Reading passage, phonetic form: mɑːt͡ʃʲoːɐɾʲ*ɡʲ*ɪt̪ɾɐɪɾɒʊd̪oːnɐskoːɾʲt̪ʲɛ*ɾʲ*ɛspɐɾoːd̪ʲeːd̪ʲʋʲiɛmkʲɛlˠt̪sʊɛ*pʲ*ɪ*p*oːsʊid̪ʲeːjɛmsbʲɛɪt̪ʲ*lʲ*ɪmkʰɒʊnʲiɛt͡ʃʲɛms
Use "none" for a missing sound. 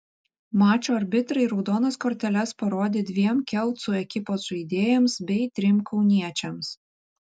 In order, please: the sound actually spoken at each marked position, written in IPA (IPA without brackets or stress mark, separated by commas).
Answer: bʲ, lʲ, kʲ, p, ɾʲ